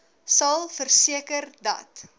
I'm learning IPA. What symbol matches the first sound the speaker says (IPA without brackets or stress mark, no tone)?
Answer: s